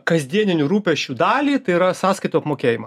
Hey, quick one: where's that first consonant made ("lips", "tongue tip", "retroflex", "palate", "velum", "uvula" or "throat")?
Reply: velum